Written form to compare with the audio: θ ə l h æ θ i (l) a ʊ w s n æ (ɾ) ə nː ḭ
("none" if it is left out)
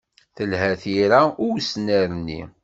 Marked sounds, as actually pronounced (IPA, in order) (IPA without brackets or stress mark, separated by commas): ɾ, ɾ